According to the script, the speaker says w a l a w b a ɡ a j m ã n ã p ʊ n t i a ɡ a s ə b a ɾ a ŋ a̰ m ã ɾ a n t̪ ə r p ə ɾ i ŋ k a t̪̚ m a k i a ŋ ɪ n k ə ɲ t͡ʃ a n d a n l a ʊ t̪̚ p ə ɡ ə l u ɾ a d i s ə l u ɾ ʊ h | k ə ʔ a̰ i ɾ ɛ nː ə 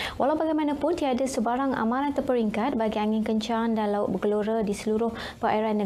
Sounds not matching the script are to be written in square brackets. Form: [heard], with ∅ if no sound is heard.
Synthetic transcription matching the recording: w a l a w b a ɡ a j m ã n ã p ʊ n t i a [d] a s ə b a ɾ a ŋ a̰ m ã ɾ a n t̪ ə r p ə ɾ i ŋ k a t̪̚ [b] a [ɡ] i a ŋ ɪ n k ə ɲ t͡ʃ a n d a n l a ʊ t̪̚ [b] ə ɡ ə l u ɾ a d i s ə l u ɾ ʊ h | [p] ə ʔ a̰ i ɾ [a] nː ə